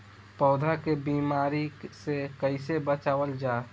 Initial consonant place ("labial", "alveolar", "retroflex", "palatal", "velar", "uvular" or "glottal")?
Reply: labial